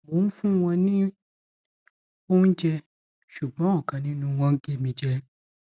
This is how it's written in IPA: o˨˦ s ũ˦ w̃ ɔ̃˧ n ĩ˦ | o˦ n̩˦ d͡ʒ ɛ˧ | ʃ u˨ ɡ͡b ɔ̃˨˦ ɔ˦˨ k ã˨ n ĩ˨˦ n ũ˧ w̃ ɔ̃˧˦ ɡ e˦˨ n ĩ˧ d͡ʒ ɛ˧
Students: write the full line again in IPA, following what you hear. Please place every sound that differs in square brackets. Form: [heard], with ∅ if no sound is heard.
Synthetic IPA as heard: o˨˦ [f] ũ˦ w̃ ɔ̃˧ n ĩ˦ | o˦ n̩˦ d͡ʒ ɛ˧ | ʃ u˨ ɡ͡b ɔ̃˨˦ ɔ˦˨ k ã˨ n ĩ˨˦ n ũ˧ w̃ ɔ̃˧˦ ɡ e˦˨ [m] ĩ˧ d͡ʒ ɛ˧